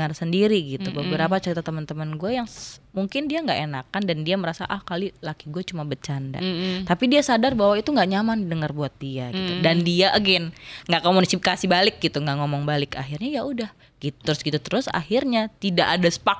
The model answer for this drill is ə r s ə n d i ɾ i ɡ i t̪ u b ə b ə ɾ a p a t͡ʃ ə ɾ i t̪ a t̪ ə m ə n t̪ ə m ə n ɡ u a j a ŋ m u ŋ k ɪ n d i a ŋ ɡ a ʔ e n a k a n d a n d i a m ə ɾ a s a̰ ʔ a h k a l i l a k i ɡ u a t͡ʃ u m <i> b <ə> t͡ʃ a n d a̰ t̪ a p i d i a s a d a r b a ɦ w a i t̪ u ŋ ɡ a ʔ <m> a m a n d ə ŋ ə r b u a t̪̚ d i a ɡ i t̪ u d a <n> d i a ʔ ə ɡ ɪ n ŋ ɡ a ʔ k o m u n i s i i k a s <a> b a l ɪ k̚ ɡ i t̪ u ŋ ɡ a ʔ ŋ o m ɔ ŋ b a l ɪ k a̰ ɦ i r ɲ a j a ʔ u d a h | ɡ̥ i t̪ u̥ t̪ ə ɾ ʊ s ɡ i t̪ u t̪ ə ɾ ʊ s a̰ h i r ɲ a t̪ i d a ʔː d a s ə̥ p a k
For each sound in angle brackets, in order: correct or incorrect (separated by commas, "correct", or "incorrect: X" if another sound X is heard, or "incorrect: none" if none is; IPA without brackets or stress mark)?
incorrect: a, correct, incorrect: ɲ, correct, incorrect: i